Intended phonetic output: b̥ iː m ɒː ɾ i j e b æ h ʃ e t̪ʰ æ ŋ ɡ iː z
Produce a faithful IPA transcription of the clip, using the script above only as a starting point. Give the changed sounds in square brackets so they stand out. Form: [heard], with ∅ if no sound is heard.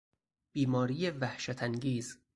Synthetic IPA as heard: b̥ iː m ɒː ɾ i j e [v] æ h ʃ [æ] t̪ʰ æ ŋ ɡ iː z